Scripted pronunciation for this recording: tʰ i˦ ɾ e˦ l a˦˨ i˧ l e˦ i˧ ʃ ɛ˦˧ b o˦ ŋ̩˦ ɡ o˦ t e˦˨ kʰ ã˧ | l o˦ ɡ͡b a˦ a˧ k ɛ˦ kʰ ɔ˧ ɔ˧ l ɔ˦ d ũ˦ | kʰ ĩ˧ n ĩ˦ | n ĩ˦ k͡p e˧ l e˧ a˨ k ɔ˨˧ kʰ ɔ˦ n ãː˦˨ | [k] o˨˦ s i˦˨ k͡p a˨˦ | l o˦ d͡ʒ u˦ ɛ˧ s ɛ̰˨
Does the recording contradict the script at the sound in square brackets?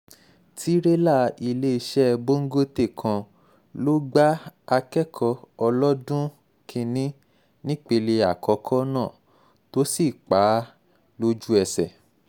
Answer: yes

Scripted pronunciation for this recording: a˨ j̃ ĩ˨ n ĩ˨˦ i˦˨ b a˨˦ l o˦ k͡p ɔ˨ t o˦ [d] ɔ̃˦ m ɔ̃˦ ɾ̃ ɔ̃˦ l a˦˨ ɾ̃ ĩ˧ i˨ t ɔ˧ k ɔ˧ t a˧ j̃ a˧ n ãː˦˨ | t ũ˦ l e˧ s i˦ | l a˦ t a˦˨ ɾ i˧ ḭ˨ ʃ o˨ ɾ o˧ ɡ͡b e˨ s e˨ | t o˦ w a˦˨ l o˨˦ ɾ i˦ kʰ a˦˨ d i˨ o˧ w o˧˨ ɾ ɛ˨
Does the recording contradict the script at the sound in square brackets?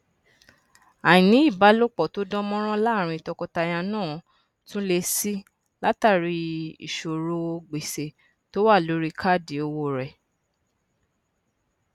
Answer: no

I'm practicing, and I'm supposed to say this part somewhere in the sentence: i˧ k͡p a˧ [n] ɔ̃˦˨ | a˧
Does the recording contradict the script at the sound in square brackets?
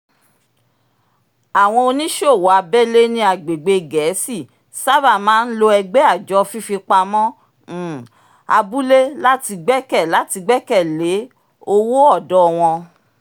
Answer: yes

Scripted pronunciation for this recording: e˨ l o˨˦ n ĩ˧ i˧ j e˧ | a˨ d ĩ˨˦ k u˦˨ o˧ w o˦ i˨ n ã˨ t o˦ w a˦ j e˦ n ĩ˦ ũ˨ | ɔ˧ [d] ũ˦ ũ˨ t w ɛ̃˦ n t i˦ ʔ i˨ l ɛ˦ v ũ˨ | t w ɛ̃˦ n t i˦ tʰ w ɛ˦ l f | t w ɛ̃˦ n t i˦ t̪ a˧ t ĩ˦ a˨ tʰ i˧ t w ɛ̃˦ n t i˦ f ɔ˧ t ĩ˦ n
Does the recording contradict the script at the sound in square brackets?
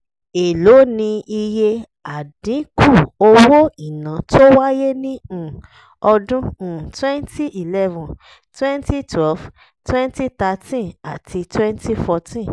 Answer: no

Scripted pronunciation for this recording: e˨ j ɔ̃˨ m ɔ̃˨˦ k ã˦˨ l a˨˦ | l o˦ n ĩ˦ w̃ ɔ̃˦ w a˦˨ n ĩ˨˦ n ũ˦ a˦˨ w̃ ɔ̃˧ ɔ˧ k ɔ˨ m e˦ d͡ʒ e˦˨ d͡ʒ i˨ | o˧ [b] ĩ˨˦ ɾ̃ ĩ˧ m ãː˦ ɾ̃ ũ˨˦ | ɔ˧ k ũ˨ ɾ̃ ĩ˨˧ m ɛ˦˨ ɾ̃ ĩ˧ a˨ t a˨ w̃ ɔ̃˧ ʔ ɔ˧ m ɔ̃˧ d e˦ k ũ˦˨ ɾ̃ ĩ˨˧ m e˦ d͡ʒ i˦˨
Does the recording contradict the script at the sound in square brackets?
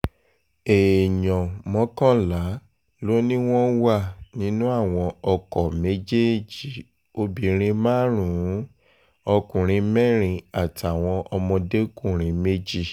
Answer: no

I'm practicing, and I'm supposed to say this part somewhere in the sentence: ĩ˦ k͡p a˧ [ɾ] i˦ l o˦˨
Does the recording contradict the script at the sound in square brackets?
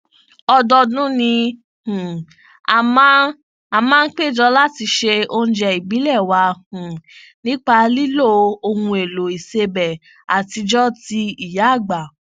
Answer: yes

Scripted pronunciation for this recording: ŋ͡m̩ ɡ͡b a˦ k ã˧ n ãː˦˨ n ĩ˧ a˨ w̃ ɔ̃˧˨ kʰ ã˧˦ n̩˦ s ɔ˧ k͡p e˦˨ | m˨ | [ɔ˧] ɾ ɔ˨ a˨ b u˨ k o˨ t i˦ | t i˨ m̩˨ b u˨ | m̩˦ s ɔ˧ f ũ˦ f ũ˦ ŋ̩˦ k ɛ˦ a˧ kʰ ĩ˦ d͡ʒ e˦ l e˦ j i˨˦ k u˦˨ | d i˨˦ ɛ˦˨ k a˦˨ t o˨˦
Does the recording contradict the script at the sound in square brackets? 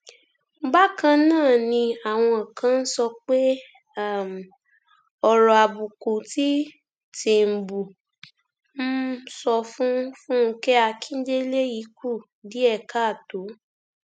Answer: no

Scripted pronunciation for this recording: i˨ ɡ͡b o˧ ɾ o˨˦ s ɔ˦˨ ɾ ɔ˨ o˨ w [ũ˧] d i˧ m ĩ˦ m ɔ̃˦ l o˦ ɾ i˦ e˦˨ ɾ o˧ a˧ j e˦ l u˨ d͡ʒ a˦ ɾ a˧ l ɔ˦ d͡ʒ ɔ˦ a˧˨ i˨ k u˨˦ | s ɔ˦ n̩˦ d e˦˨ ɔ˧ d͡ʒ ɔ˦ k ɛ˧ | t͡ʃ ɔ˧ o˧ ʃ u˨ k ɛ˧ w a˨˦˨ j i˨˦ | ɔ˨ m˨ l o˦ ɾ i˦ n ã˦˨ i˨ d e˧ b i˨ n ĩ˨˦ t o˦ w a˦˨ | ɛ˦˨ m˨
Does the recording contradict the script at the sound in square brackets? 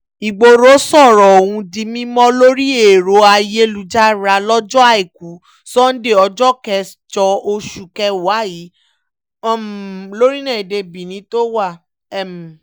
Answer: no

